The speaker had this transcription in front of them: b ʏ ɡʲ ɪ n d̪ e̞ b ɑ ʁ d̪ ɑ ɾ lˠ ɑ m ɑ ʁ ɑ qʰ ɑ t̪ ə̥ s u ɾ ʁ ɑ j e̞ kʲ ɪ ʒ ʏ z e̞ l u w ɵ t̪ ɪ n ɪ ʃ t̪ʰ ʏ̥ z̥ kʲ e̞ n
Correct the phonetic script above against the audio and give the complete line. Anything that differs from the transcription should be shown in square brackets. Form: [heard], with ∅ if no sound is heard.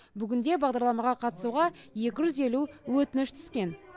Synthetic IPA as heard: b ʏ ɡʲ ɪ n d̪ e̞ b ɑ ʁ d̪ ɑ ɾ lˠ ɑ m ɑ ʁ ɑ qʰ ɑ t̪ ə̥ s u [∅] ʁ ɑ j e̞ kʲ ɪ ʒ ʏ z e̞ l u w ɵ t̪ ɪ n ɪ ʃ t̪ʰ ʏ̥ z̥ kʲ e̞ n